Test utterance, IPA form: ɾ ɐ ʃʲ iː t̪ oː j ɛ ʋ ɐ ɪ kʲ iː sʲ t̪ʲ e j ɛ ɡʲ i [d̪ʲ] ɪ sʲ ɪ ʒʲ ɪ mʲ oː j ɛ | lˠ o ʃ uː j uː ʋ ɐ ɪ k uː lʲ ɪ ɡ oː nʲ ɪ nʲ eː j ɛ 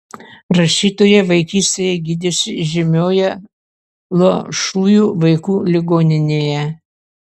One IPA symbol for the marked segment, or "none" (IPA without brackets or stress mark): d̪ʲ